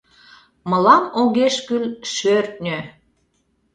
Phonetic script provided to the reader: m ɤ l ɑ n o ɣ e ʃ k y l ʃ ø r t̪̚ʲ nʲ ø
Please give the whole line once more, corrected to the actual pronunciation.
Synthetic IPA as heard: m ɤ l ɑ m o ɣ e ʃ k y l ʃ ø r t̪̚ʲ nʲ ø